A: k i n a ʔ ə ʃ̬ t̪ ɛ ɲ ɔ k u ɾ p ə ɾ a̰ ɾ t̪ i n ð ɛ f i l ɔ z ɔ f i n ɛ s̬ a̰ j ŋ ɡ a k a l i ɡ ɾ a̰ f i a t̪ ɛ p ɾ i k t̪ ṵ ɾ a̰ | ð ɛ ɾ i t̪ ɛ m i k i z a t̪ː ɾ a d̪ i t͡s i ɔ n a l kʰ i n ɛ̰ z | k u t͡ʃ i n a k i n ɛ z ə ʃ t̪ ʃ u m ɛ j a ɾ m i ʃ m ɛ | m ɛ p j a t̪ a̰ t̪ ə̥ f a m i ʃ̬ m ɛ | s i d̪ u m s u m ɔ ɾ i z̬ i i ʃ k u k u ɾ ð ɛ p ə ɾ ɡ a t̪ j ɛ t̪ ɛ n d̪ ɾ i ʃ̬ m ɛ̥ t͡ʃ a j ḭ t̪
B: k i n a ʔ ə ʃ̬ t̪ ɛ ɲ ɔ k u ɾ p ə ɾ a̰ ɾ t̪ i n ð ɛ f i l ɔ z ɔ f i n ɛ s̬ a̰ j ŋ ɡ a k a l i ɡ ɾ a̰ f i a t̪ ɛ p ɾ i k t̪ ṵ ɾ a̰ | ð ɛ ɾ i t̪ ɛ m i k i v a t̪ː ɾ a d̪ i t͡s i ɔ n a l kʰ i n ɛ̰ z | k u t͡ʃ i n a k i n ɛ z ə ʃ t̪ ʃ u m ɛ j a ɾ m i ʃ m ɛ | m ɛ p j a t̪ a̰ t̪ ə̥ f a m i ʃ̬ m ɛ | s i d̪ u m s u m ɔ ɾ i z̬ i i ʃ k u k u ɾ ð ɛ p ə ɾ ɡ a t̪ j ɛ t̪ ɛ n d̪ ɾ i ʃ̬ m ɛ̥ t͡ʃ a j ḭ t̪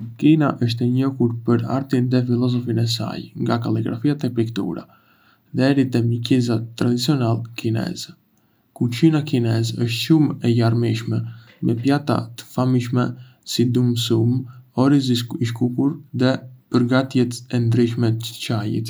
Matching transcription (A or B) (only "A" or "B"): A